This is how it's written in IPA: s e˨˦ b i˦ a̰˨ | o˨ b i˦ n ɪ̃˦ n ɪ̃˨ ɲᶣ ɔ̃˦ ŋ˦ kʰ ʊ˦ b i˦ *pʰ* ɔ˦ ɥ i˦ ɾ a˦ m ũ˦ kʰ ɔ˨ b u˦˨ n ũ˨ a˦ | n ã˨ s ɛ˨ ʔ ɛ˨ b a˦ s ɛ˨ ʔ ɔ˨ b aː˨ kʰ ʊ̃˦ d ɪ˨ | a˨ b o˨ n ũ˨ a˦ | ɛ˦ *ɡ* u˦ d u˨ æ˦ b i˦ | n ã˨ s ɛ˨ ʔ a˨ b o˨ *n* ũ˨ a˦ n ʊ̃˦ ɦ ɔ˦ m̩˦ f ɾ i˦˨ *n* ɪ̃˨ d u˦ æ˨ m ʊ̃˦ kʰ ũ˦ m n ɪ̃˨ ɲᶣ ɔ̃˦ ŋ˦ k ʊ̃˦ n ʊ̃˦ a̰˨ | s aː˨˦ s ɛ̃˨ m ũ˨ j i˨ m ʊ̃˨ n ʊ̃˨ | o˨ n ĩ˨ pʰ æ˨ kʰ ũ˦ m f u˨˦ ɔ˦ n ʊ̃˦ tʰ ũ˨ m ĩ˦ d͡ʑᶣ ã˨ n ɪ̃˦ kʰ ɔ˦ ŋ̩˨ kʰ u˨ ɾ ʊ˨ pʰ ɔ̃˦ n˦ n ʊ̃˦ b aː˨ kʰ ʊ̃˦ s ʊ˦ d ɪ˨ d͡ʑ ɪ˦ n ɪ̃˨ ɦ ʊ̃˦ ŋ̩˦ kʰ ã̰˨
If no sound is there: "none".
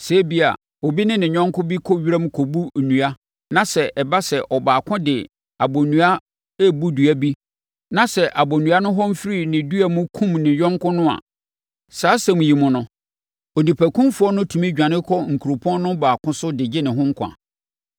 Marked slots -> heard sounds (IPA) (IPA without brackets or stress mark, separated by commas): kʰ, b, n, n